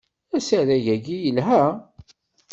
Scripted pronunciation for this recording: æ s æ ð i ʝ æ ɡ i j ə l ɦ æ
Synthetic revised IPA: æ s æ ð æ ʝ æ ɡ i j ə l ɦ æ

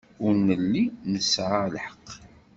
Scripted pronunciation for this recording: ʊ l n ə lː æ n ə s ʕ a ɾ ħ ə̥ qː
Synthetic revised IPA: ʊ ɾ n ə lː i n ə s ʕ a l ħ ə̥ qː

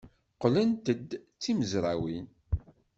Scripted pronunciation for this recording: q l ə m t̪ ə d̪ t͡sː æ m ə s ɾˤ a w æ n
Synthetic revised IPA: q l ə n t̪ ə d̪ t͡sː i m ə z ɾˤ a w i n

